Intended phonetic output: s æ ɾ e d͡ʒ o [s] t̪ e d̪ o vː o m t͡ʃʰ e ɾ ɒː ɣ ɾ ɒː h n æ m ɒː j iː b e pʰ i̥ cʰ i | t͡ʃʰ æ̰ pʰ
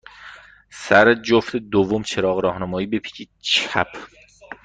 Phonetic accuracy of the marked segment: incorrect: f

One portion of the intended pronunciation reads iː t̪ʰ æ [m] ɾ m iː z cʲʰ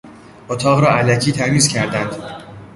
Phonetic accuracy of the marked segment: incorrect: none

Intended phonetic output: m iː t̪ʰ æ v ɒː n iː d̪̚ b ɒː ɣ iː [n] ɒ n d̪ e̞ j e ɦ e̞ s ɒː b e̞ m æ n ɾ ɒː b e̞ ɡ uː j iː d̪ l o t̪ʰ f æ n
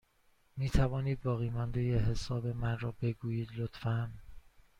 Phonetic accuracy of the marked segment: incorrect: m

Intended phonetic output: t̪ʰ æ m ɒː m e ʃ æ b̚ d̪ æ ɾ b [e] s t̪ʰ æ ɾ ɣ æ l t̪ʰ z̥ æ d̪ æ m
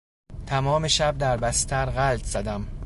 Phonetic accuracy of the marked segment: incorrect: æ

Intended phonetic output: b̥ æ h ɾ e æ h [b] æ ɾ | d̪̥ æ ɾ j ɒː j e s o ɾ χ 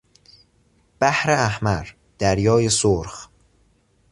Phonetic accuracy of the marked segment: incorrect: m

